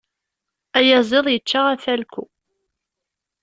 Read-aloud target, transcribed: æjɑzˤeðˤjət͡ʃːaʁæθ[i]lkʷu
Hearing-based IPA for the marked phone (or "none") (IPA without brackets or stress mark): æ